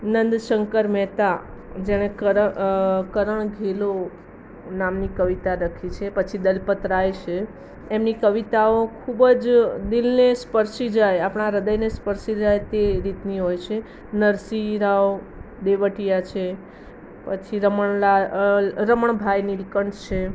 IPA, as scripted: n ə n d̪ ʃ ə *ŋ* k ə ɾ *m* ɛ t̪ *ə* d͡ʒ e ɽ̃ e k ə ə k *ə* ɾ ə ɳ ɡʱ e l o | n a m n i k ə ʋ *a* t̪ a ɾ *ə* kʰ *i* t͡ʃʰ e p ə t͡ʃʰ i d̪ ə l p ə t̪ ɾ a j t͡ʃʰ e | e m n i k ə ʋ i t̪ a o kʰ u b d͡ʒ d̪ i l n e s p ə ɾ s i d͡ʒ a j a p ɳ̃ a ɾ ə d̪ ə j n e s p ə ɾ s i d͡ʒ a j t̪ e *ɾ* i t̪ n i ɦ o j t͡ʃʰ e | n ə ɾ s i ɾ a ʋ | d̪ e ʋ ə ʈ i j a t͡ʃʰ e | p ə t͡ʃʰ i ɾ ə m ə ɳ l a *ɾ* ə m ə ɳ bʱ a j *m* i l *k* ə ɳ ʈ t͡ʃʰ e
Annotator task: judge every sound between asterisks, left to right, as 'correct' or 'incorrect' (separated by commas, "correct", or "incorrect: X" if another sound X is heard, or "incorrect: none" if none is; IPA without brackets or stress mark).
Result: correct, correct, incorrect: a, correct, incorrect: i, correct, correct, correct, correct, incorrect: n, correct